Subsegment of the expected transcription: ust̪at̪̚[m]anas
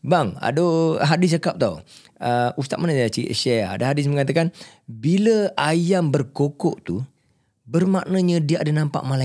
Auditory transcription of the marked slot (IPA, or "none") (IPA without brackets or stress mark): m